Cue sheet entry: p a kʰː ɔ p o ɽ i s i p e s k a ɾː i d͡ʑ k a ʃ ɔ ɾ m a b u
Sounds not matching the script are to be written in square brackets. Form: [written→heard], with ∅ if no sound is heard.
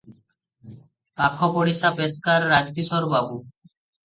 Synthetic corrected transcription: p a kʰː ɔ p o ɽ i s [i→a] p e s k a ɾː [i→a] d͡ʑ k [a→i] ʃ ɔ ɾ [m→b] a b u